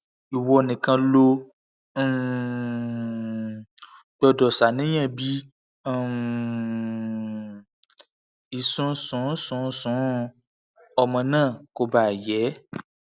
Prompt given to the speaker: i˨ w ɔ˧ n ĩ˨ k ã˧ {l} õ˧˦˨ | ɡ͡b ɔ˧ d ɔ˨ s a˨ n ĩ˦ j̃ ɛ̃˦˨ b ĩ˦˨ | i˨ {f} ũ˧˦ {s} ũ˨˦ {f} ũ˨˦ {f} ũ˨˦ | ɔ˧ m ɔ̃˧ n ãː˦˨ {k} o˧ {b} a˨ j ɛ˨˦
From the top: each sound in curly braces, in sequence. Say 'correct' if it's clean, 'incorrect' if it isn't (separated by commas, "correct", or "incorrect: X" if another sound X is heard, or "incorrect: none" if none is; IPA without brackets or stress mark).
correct, incorrect: s, correct, incorrect: s, incorrect: s, correct, correct